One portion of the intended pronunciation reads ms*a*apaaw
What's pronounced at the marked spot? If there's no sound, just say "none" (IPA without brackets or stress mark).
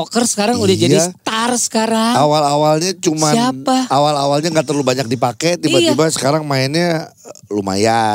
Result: a